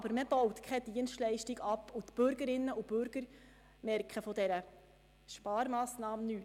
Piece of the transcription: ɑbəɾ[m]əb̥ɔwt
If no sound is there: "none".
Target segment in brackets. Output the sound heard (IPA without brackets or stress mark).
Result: m